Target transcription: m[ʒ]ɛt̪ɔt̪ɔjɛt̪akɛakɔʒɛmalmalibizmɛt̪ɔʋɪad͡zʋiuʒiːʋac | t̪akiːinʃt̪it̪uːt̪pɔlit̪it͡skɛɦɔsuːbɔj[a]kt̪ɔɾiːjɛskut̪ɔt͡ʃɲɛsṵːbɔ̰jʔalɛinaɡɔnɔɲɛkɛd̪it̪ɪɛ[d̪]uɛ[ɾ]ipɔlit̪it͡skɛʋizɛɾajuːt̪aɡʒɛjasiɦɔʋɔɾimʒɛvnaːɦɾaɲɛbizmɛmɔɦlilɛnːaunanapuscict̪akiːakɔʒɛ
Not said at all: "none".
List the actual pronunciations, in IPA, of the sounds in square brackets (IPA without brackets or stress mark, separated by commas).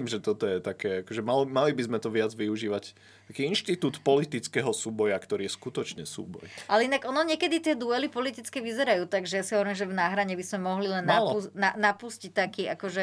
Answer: ʒ, a, d̪, l